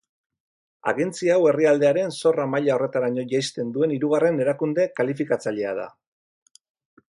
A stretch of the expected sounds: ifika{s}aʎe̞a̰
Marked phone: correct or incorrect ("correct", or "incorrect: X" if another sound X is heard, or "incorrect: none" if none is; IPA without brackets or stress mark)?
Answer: incorrect: t͡s